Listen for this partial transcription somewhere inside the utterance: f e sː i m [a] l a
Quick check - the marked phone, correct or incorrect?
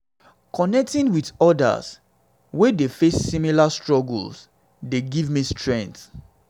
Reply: incorrect